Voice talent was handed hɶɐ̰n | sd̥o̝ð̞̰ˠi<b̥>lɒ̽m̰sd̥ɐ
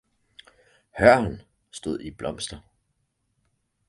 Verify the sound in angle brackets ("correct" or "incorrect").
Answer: correct